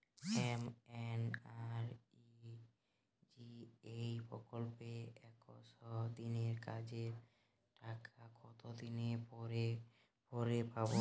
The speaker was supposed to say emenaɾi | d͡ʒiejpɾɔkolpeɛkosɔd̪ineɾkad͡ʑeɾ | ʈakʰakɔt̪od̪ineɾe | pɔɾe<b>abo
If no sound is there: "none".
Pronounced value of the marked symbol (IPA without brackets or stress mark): p